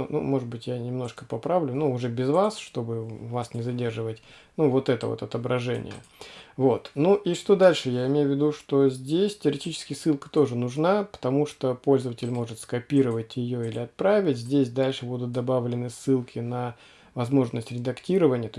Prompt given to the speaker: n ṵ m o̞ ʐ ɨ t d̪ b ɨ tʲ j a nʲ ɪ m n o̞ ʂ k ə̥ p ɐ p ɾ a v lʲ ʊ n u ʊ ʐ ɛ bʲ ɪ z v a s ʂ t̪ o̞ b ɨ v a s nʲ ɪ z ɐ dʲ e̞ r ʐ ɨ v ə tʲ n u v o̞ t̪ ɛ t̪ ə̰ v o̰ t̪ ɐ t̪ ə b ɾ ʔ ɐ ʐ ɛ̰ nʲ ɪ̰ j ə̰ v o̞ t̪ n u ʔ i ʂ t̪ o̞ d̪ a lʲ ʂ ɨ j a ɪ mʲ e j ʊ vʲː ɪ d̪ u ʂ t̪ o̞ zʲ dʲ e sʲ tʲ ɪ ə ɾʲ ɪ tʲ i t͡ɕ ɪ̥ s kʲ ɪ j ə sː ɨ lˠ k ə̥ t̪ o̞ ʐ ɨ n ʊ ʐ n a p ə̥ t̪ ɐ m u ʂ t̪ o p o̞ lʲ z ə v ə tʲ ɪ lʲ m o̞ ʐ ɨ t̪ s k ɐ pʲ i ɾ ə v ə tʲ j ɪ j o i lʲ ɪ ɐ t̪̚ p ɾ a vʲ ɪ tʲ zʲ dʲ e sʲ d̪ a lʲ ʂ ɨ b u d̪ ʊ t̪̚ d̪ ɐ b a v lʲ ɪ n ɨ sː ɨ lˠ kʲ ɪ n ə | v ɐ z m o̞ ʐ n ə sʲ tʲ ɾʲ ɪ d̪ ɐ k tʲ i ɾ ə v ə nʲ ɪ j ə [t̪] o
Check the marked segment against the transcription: correct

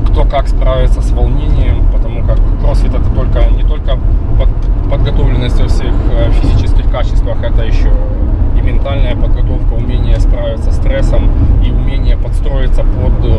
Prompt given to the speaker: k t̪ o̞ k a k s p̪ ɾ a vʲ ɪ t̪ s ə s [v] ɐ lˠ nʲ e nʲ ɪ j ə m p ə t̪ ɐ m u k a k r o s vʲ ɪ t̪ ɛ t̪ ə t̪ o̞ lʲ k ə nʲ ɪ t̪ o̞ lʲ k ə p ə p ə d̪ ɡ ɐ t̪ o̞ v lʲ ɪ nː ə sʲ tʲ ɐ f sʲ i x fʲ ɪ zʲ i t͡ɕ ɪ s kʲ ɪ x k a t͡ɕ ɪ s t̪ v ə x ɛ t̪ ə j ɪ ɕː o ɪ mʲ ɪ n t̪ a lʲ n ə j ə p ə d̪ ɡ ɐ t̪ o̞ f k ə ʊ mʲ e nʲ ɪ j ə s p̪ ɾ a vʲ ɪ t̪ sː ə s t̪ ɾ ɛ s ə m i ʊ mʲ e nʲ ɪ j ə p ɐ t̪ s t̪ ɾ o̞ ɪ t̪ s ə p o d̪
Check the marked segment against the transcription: correct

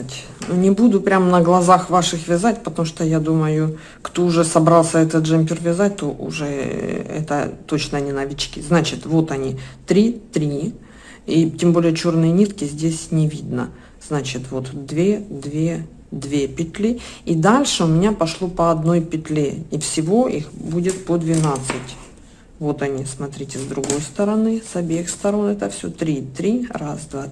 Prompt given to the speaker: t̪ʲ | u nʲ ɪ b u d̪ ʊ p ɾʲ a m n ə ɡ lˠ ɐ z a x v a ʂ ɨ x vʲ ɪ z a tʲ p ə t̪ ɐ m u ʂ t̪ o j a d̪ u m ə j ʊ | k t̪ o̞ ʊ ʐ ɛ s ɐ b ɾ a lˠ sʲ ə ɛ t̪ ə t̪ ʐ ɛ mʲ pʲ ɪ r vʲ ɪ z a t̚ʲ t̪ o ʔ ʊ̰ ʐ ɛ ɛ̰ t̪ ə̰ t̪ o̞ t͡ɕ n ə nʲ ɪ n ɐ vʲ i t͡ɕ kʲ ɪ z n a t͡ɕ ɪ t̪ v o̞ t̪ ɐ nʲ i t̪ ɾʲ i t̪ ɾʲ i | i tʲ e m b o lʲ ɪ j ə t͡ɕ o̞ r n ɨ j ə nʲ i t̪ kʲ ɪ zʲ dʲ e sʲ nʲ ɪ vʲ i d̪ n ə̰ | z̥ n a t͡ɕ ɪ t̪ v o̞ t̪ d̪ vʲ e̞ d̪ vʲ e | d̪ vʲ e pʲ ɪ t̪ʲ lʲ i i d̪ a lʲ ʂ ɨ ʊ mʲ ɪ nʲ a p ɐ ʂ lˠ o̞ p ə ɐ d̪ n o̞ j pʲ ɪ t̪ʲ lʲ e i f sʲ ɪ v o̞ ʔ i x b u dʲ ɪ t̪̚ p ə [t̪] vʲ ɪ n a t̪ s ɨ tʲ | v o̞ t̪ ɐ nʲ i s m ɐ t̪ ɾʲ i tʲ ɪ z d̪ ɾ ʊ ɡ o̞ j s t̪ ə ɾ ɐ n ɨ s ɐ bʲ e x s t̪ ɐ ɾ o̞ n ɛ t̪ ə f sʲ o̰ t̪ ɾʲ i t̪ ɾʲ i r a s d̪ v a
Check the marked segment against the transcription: incorrect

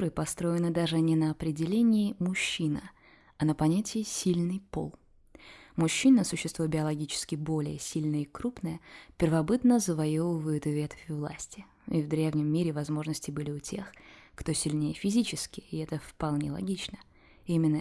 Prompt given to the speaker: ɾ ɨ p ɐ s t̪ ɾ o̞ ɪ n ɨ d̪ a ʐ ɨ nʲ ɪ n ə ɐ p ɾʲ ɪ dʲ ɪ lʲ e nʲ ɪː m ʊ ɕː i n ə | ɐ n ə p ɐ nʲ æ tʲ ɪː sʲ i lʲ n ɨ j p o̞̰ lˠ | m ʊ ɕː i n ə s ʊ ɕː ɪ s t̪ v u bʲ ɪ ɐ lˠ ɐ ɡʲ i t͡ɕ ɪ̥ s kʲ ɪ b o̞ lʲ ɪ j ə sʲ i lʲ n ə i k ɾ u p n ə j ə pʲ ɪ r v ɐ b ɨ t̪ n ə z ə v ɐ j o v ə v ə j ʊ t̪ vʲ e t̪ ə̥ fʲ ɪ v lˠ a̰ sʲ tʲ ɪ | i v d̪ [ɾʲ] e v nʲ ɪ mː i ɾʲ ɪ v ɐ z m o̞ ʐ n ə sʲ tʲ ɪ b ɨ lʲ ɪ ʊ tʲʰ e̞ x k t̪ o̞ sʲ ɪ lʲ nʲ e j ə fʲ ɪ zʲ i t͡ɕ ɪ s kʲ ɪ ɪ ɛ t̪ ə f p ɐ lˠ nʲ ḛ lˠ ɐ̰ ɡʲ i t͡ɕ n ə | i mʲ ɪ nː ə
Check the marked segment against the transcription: correct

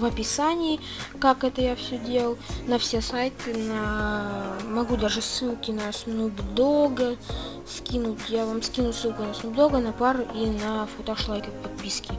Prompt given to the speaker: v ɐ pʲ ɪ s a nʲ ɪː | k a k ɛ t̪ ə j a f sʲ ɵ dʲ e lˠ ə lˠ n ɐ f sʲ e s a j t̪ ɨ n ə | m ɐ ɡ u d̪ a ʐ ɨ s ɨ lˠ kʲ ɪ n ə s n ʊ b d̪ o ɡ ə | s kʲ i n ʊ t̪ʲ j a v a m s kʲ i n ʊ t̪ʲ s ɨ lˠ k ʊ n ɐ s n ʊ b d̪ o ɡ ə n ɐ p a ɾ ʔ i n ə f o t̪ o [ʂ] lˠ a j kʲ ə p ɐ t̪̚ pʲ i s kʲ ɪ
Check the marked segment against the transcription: correct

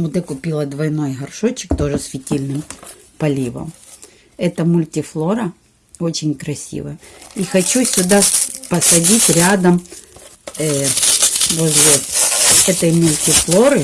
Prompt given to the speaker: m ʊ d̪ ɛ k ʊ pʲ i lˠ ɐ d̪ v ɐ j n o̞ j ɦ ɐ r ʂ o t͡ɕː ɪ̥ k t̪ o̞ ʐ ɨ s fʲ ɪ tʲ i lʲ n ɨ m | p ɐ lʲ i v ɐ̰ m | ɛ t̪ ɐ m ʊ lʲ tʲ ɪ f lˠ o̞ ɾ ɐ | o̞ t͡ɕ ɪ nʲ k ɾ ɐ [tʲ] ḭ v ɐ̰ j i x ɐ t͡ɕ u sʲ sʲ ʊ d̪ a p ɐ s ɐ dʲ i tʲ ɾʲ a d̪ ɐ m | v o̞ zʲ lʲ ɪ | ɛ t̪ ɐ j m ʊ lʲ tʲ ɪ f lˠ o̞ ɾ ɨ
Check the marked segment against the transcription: incorrect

